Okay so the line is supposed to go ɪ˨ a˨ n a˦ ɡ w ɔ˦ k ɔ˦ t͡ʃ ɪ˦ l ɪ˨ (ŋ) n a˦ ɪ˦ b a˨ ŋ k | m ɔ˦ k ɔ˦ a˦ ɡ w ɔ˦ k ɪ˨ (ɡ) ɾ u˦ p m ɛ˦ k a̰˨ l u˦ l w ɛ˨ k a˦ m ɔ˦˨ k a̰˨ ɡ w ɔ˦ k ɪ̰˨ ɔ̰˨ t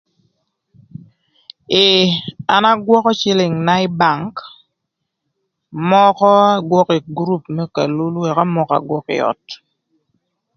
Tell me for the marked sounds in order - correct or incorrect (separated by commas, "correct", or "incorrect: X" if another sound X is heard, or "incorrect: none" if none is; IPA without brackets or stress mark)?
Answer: correct, correct